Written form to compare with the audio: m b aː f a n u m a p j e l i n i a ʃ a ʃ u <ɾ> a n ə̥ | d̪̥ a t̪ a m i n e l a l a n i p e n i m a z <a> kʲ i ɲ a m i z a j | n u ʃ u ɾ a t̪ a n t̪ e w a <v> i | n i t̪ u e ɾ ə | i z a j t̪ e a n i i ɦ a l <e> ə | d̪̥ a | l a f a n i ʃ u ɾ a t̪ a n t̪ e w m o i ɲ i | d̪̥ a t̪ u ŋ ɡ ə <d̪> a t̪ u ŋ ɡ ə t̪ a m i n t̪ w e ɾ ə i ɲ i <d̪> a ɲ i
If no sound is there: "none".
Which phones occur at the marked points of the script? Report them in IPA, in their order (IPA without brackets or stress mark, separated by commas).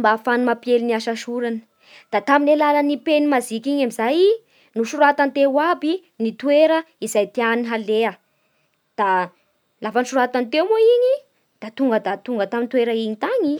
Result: ɾ, i, b, e, d̪, t̪